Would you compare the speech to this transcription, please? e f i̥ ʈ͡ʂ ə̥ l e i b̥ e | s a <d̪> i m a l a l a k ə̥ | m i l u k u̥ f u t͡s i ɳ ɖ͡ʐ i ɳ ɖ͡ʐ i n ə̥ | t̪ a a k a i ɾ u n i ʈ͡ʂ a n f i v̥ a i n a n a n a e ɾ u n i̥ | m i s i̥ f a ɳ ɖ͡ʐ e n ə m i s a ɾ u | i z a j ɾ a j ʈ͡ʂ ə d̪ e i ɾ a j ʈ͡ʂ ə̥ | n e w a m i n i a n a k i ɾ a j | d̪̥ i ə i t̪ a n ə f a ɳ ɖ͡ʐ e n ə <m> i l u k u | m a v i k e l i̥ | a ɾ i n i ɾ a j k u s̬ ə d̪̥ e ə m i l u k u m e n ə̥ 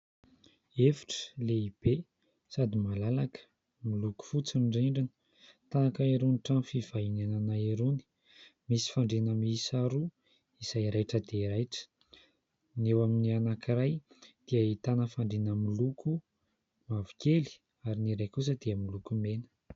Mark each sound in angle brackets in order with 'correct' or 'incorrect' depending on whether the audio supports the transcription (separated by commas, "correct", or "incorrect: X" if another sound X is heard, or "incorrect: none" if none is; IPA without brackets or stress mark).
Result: correct, correct